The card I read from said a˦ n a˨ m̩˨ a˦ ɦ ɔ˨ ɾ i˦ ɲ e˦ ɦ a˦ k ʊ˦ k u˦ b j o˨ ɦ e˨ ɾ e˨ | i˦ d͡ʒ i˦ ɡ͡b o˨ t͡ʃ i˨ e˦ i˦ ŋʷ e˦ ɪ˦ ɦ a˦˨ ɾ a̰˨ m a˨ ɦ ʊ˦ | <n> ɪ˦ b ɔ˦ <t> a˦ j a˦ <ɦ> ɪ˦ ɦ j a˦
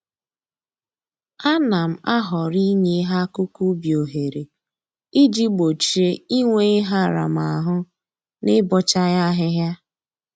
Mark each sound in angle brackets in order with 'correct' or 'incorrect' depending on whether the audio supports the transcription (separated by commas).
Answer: correct, incorrect, correct